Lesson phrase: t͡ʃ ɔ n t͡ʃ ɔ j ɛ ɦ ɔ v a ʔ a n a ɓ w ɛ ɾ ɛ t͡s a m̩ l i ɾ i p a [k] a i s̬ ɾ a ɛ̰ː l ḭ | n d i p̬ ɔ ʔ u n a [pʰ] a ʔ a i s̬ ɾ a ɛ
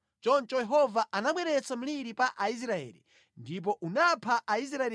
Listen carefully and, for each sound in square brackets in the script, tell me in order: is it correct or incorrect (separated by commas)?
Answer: incorrect, correct